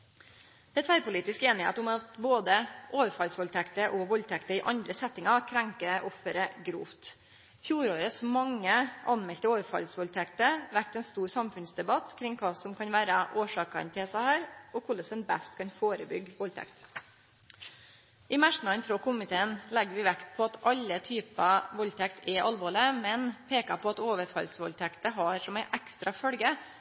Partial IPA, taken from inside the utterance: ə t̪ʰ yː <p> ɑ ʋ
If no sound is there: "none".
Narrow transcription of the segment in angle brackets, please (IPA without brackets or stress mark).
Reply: p